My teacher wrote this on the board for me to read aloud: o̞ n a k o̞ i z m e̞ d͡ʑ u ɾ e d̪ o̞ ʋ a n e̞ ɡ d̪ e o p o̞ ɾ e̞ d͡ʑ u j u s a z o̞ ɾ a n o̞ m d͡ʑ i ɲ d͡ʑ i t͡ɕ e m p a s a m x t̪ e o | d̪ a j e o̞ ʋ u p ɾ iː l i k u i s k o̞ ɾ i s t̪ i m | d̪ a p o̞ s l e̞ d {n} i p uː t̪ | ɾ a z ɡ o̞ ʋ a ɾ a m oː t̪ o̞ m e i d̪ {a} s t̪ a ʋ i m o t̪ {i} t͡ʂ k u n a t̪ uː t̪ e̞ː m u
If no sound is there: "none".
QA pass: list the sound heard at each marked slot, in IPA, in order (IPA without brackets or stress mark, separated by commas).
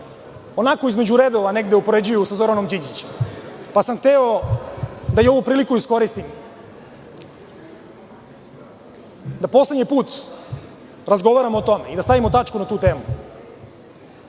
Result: ɲ, a, a